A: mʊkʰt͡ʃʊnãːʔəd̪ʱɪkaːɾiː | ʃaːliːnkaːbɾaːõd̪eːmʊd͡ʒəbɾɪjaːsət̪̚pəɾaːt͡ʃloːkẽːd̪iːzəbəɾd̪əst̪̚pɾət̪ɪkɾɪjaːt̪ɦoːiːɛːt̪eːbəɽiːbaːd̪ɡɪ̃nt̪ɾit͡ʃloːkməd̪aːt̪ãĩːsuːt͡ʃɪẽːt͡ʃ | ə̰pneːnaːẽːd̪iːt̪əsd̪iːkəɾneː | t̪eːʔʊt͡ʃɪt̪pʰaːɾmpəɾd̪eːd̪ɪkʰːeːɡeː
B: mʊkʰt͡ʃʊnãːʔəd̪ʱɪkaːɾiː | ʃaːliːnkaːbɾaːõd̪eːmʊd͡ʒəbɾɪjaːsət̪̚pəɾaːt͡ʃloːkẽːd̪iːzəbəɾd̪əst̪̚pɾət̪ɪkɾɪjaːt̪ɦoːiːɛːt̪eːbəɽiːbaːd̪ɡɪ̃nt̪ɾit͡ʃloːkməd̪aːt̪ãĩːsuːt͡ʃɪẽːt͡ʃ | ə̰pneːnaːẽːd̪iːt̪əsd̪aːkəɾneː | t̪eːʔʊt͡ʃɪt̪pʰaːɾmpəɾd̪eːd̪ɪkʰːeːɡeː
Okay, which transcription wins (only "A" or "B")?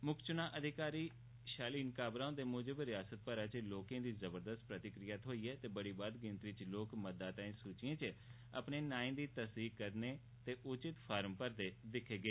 A